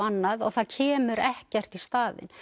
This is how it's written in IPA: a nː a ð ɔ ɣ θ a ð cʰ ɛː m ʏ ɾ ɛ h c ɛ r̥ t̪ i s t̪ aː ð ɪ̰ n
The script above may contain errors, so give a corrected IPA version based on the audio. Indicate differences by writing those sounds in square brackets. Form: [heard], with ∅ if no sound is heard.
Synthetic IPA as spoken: a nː a ð ɔ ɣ θ a ð cʰ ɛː m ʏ ɾ ɛ h c ɛ r̥ t̪ i s t̪ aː ð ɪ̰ n